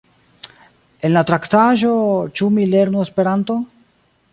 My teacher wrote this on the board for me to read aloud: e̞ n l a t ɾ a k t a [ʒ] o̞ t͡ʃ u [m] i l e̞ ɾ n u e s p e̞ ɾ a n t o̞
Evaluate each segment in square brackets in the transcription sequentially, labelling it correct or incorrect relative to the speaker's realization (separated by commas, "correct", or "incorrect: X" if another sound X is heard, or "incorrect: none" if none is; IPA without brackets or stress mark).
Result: correct, correct